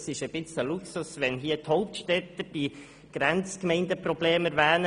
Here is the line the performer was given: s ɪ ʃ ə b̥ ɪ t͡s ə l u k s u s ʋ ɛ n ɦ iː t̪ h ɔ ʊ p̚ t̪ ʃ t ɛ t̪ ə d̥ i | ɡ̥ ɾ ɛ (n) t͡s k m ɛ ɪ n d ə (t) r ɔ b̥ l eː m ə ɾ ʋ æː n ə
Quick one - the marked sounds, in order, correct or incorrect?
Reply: correct, incorrect: p

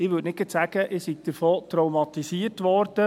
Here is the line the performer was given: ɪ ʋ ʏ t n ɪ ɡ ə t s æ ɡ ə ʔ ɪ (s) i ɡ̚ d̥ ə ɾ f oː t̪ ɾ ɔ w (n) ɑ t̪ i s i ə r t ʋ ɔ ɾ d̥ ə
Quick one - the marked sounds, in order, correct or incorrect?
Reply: correct, incorrect: m

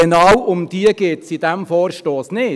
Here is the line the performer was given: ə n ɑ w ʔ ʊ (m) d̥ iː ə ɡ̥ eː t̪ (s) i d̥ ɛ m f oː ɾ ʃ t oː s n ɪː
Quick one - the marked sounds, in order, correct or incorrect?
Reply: correct, correct

